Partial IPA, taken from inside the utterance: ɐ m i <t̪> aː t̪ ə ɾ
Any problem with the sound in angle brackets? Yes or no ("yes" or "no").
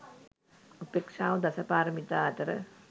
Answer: no